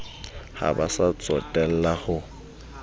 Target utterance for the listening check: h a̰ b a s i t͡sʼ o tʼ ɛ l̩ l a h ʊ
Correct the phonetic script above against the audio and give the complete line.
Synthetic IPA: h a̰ b a s a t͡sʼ ɔ tʼ ɛ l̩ l a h ʊ